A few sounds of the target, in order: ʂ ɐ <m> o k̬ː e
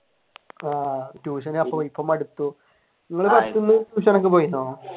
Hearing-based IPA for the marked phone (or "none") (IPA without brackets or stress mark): n